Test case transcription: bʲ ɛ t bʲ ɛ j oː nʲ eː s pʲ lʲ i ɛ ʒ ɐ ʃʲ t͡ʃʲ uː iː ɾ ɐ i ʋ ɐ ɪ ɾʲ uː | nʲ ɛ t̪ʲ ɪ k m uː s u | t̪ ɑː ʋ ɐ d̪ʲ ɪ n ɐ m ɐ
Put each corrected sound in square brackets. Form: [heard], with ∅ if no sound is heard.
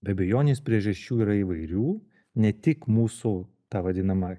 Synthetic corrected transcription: bʲ ɛ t bʲ ɛ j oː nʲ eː s pʲ [ɾʲ] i ɛ ʒ ɐ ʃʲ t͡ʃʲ uː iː ɾ ɐ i ʋ ɐ ɪ ɾʲ uː | nʲ ɛ t̪ʲ ɪ k m uː s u | t̪ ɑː ʋ ɐ d̪ʲ ɪ n ɐ m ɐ